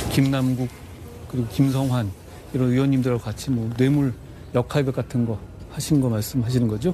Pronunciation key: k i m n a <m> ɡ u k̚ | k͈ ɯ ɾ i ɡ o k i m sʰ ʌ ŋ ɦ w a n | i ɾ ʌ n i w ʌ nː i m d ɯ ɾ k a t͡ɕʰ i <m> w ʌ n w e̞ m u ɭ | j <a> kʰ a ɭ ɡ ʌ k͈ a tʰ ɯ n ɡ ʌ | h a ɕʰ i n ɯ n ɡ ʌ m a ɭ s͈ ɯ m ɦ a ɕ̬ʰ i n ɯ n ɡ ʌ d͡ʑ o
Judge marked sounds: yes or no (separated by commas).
yes, yes, no